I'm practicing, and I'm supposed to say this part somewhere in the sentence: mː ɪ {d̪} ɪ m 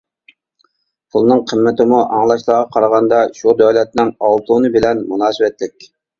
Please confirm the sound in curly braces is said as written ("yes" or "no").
no